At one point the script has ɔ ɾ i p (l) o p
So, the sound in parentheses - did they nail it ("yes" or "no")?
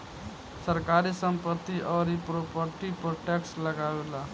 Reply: no